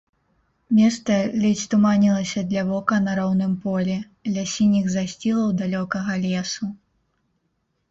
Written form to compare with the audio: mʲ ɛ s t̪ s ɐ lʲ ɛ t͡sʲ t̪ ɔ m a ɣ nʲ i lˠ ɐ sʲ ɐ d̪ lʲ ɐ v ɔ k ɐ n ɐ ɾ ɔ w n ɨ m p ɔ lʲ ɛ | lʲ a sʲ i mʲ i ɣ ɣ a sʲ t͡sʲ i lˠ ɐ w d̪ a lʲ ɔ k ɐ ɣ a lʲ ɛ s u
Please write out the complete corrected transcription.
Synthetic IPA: mʲ ɛ s t̪ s ɐ lʲ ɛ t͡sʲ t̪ u m a nʲ i lˠ ɐ sʲ ɐ d̪ lʲ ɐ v ɔ k ɐ n ɐ ɾ ɔ w n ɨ m p ɔ lʲ ɛ | lʲ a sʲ i nʲ i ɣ z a sʲ t͡sʲ i lˠ ɐ w d̪ a lʲ ɔ k ɐ ɣ ɐ lʲ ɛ s u